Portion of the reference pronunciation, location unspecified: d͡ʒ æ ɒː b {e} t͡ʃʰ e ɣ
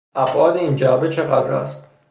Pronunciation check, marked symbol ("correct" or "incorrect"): correct